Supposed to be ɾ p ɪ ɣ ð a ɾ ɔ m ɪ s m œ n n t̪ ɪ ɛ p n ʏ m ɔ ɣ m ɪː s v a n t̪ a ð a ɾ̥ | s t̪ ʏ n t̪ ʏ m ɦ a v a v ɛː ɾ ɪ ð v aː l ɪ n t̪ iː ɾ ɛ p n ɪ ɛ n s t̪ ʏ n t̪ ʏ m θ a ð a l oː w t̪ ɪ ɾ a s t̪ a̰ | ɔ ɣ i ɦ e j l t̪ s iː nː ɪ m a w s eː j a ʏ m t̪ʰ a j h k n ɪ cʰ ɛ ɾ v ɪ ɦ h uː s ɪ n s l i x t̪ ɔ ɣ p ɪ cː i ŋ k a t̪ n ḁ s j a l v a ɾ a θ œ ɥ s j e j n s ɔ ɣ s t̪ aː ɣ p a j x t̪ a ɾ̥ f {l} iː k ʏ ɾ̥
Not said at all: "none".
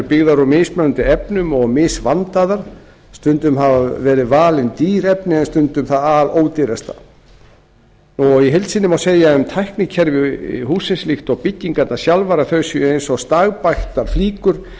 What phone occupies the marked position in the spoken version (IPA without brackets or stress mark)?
l